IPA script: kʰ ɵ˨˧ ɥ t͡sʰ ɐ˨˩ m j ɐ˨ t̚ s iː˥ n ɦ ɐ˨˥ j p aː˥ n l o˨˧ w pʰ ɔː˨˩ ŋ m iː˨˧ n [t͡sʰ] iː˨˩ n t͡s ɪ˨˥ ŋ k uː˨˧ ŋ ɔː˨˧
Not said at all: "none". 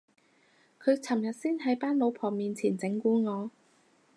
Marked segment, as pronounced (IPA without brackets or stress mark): t͡sʰ